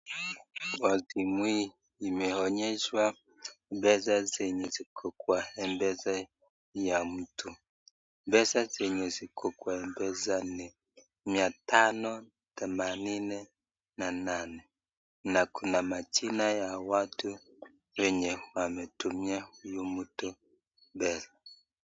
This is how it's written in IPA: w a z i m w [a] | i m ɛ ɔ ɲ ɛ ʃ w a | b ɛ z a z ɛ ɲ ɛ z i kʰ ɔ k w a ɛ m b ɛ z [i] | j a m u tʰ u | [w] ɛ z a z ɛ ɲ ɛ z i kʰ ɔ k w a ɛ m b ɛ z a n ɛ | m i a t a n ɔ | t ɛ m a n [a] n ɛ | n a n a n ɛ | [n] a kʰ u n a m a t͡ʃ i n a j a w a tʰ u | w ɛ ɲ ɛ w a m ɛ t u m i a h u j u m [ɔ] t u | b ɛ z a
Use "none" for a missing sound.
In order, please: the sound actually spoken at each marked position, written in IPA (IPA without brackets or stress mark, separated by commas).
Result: i, a, b, i, n, u